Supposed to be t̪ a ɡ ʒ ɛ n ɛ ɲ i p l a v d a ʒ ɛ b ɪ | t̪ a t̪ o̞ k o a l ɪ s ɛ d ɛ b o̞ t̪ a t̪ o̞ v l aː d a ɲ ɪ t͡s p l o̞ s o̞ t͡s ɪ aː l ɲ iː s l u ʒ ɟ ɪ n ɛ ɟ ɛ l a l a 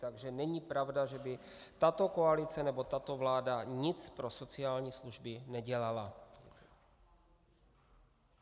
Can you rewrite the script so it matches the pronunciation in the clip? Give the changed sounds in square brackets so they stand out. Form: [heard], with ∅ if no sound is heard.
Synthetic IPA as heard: t̪ a ɡ ʒ ɛ n ɛ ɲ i p [ɾ] a v d a ʒ ɛ b ɪ | t̪ a t̪ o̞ k o a l ɪ [t͡s] ɛ [n] ɛ b o̞ t̪ a t̪ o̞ v l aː d a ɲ ɪ t͡s p [ɾ] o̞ s o̞ t͡s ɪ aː l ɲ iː s l u ʒ [b] ɪ n ɛ ɟ ɛ l a l a